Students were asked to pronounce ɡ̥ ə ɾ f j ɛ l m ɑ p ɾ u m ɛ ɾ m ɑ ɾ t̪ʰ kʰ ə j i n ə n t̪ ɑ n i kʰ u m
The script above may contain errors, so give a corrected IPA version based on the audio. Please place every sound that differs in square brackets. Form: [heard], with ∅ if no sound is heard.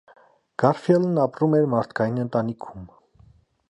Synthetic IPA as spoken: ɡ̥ [ɑ] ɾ f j ɛ l [n] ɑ p ɾ u m ɛ ɾ m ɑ ɾ t̪ʰ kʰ [ɑ] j i n ə n t̪ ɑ n i kʰ u m